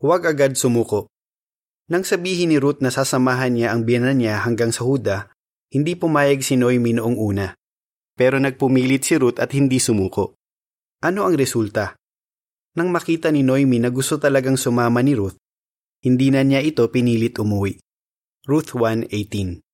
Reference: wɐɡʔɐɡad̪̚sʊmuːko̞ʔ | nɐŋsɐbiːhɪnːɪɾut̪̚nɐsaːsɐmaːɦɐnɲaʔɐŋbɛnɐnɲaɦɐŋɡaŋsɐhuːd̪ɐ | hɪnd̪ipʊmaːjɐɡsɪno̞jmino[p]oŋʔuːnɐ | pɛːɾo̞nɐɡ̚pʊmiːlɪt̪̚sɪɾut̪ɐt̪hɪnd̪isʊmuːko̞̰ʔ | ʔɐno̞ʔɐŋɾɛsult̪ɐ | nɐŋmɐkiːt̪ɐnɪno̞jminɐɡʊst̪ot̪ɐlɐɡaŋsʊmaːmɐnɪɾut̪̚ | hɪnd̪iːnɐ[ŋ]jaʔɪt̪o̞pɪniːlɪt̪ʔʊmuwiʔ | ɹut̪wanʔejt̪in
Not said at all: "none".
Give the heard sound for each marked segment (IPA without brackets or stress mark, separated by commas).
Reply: ʔ, n